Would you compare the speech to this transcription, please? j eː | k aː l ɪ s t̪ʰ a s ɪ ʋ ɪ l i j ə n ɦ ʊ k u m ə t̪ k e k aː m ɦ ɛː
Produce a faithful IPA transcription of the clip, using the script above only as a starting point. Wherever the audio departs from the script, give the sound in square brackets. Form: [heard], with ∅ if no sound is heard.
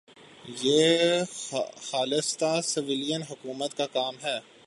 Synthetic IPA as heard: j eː | [x] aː l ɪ s [t̪] a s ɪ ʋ ɪ l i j ə n ɦ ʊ k [uː] m ə t̪ k [a] k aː m ɦ ɛː